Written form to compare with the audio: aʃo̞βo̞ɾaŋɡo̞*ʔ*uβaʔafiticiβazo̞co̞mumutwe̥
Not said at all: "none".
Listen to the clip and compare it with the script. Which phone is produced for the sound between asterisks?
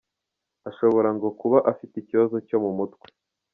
k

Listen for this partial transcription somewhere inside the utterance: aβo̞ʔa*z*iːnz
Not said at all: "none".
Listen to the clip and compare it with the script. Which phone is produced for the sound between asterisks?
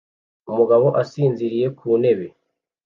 s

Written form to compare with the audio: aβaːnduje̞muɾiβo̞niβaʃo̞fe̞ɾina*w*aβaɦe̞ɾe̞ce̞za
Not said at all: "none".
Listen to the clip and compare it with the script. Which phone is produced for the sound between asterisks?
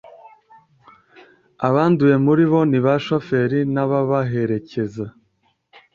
β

